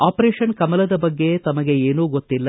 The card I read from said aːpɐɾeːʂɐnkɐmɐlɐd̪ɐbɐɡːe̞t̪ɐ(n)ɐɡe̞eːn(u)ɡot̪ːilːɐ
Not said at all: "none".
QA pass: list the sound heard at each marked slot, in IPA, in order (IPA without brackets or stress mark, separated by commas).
m, uː